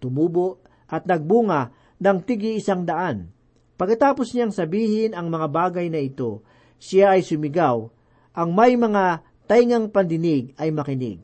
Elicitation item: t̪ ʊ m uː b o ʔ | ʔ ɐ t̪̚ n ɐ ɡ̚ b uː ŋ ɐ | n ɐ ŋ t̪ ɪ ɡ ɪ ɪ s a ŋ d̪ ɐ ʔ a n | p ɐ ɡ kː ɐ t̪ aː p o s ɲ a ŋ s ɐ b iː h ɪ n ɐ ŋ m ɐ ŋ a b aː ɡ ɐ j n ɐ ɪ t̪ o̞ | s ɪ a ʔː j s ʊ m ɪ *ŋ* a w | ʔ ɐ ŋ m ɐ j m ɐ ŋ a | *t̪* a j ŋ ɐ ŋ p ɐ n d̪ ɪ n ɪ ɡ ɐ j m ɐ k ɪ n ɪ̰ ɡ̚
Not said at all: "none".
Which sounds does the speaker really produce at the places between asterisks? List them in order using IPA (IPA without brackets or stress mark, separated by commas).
ɡ, t̪